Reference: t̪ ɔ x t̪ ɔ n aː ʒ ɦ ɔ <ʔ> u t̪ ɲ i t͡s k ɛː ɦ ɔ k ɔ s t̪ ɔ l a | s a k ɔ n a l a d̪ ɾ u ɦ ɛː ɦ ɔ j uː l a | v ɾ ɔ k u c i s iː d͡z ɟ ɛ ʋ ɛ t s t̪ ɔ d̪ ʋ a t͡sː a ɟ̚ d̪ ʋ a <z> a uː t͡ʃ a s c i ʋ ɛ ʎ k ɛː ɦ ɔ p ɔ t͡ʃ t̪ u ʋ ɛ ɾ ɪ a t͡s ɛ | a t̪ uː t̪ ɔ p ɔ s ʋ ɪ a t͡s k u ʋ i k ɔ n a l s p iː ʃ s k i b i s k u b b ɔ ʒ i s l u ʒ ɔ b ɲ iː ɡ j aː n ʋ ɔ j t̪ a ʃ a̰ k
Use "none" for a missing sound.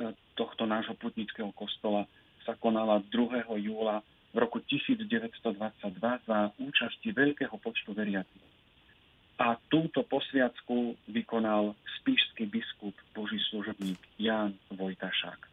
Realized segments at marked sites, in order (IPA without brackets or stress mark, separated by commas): p, z